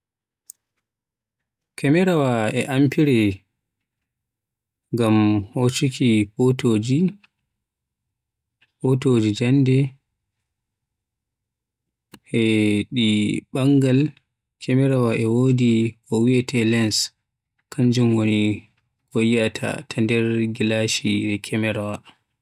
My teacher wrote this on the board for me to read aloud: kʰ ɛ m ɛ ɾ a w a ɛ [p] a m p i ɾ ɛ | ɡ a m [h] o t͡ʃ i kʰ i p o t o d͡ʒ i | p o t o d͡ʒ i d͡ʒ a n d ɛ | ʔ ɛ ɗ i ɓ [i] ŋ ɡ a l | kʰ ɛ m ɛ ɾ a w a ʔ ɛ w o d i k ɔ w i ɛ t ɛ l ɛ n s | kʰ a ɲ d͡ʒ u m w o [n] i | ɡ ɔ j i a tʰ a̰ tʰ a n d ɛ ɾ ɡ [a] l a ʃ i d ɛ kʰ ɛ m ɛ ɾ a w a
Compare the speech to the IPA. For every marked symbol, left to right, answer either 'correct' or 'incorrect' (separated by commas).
incorrect, correct, incorrect, correct, incorrect